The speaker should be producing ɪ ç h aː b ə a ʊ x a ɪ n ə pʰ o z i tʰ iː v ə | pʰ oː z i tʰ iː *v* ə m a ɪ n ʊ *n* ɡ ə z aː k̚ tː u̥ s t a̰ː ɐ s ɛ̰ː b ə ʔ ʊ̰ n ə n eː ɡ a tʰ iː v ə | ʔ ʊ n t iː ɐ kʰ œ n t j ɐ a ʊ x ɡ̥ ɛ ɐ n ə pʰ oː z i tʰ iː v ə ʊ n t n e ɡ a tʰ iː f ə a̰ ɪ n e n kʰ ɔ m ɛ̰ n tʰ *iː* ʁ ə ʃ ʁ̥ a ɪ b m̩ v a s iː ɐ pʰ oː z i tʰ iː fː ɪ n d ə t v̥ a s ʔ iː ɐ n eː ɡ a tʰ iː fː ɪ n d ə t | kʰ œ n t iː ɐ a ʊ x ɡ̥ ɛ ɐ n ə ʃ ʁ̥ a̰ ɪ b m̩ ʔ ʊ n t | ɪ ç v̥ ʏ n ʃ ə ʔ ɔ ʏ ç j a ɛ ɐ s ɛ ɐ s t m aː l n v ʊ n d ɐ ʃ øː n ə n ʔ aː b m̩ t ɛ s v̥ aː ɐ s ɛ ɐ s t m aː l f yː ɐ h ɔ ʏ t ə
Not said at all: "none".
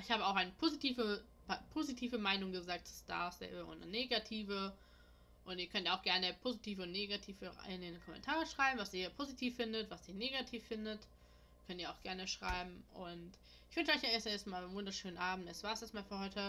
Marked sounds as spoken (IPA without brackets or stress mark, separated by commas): v, ŋ, aː